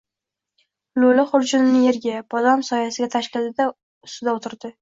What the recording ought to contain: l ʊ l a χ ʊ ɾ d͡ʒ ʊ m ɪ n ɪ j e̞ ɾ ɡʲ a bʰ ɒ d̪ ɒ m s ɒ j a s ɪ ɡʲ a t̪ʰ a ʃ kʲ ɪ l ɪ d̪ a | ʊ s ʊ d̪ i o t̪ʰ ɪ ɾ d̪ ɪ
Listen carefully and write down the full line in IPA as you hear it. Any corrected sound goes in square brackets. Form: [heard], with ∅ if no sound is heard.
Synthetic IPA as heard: l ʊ l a χ ʊ ɾ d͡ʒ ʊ [n] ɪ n ɪ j e̞ ɾ ɡʲ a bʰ ɒ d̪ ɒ m s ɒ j a s ɪ ɡʲ a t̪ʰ a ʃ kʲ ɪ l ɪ d̪ a | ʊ s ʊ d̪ [a] o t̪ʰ ɪ ɾ d̪ ɪ